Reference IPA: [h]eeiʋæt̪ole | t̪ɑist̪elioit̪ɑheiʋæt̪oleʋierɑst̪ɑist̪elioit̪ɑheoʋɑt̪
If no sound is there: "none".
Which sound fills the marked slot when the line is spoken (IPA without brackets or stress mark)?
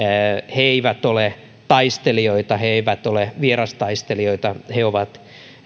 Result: h